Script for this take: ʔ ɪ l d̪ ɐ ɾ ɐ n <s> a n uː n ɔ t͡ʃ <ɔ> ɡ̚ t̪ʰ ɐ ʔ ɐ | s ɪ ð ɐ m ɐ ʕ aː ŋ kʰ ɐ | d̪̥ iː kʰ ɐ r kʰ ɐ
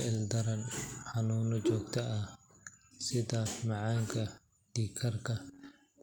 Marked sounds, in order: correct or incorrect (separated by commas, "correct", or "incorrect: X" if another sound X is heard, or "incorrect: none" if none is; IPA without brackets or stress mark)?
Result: incorrect: ħ, incorrect: ɔː